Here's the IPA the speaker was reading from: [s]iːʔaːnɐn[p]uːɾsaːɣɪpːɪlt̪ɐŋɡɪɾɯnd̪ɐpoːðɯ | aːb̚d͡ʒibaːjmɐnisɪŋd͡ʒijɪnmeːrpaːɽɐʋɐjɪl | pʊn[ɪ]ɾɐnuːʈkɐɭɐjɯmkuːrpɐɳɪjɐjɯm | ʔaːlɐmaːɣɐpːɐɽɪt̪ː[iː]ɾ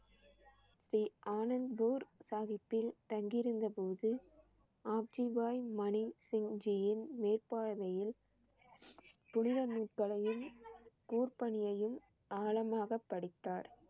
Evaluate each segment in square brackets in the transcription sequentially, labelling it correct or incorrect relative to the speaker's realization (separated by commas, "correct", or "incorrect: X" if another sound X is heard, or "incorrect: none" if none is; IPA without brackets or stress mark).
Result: correct, incorrect: b, correct, incorrect: aː